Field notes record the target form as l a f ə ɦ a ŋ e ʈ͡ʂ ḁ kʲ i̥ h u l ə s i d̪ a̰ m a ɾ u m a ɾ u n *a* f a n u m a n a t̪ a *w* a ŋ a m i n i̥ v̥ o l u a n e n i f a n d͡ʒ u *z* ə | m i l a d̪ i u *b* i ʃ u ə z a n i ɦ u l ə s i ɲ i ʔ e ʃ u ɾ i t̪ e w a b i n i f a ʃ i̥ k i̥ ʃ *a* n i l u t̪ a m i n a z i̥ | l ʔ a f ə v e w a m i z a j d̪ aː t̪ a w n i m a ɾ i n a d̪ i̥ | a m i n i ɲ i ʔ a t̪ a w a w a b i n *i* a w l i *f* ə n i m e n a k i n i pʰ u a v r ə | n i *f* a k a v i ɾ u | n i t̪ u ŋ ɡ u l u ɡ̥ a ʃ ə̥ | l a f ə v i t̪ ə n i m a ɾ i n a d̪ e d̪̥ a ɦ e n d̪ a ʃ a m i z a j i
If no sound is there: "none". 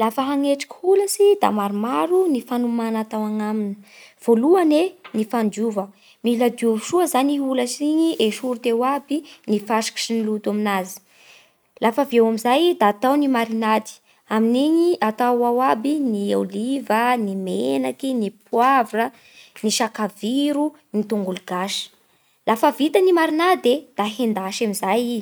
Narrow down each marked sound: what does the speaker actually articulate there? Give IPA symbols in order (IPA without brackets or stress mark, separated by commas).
i, w, v, v, i, i, v, ʃ